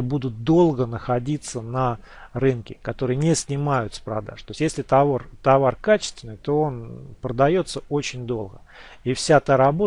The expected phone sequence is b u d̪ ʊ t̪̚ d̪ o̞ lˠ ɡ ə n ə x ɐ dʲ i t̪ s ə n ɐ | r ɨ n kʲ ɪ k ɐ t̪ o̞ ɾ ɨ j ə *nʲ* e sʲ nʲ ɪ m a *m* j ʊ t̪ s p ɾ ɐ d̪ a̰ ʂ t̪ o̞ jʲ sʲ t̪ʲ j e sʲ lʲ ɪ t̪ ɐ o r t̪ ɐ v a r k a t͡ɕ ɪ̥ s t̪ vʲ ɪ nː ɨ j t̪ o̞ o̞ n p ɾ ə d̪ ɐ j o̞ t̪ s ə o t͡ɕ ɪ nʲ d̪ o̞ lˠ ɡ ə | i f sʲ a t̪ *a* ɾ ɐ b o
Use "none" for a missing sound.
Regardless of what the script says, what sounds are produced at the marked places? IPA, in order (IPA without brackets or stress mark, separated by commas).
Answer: nʲ, none, a